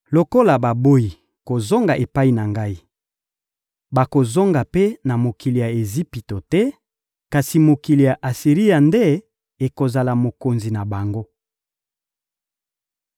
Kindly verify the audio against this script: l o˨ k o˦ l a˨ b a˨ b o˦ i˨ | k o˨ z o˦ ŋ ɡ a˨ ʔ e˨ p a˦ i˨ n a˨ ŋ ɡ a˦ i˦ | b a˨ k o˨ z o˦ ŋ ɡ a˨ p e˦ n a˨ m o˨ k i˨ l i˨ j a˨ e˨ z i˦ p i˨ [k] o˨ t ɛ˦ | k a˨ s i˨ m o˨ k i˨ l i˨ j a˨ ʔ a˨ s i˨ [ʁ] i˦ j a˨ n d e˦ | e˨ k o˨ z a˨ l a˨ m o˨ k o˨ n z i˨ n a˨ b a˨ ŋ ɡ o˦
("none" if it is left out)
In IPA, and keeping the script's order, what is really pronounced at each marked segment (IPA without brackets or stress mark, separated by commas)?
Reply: t, ʁ